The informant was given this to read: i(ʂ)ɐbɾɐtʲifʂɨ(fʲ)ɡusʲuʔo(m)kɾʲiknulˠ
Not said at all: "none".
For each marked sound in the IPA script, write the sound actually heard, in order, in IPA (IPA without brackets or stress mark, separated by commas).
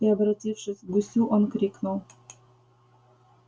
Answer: none, sʲ, n